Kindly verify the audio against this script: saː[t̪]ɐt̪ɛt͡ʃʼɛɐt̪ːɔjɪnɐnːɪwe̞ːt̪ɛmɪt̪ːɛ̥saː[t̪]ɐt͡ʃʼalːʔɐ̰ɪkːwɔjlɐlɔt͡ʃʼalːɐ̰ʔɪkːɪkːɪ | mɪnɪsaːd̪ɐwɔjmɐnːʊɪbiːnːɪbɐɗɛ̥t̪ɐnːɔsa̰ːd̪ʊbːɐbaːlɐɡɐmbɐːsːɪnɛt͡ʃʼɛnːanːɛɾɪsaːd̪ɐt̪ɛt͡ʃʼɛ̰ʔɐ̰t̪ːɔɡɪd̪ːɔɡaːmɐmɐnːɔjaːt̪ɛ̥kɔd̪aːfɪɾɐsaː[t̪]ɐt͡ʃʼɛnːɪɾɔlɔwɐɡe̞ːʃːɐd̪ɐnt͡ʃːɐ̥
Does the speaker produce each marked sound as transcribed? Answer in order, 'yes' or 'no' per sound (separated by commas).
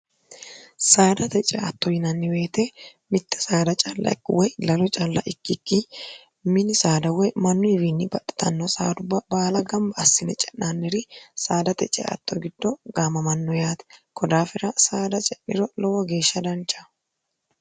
no, no, no